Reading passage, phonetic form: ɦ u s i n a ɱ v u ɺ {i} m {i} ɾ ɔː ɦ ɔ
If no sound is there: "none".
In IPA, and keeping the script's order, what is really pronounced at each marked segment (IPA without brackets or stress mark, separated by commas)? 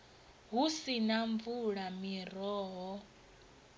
a, i